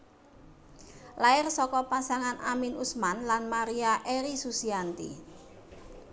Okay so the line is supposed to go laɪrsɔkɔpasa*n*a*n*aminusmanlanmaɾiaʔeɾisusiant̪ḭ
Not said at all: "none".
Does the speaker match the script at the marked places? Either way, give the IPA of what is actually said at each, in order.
ŋ, n

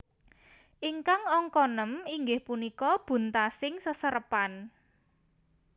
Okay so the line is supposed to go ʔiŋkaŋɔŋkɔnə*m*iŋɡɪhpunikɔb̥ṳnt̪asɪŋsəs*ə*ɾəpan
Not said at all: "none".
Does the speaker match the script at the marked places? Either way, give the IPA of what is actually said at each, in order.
m, ə

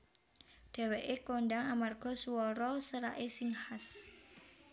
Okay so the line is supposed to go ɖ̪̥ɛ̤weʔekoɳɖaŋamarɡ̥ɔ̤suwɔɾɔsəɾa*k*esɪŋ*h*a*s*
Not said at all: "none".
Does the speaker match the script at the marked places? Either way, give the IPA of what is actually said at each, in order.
ʔ, h, s

